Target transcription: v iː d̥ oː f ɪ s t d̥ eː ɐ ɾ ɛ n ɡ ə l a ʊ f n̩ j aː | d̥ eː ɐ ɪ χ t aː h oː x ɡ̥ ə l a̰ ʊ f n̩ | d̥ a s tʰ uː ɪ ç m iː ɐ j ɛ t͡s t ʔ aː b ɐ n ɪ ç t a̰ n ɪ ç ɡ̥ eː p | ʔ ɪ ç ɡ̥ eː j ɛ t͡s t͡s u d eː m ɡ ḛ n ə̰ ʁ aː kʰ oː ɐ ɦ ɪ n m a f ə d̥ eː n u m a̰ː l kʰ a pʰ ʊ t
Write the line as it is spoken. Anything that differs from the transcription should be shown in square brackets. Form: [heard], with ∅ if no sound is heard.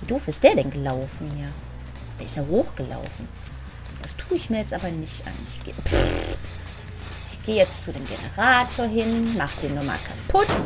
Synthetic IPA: v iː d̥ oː f ɪ s t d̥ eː ɐ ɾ ɛ n ɡ ə l a ʊ f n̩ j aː | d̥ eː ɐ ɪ [s] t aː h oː x ɡ̥ ə l a̰ ʊ f n̩ | d̥ a s tʰ uː ɪ ç m iː ɐ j ɛ t͡s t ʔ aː b ɐ n ɪ ç t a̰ n ɪ ç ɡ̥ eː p | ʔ ɪ ç ɡ̥ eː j ɛ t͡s t͡s u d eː m ɡ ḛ n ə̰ ʁ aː [tʰ] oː ɐ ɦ ɪ n m a [χ] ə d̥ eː n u m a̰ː l kʰ a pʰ ʊ t